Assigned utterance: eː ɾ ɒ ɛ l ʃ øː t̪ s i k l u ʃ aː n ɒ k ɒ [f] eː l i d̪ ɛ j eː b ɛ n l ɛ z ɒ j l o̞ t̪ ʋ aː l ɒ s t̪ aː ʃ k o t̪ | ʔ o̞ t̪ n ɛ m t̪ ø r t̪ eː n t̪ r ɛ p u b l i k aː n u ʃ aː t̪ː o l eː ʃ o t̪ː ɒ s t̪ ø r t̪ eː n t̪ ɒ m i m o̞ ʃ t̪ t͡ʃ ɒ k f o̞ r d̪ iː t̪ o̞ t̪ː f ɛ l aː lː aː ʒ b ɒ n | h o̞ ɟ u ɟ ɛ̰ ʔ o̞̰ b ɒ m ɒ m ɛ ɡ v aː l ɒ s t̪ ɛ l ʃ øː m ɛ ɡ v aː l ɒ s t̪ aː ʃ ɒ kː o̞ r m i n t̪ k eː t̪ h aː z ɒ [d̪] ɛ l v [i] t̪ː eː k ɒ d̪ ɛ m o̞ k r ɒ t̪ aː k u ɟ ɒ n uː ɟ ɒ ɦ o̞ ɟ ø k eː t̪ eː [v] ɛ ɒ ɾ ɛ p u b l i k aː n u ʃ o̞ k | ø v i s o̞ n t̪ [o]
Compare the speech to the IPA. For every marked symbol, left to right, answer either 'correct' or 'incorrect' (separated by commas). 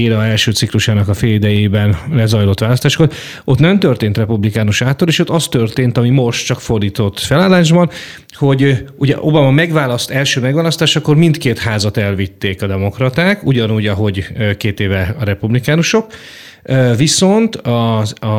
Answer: correct, incorrect, correct, correct, incorrect